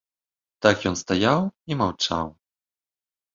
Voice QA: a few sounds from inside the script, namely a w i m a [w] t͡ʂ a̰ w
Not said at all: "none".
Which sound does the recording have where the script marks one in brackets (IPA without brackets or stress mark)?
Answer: w